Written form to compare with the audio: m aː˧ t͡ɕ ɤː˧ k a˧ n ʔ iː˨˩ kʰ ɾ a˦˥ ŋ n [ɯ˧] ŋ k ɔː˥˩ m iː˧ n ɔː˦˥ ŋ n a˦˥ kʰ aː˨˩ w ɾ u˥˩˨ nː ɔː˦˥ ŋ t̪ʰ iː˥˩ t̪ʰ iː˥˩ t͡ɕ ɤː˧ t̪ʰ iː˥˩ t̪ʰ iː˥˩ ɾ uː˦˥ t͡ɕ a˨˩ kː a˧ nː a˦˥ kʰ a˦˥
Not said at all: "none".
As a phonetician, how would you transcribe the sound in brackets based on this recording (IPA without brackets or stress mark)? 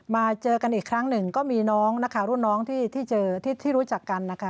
ɯ˨˩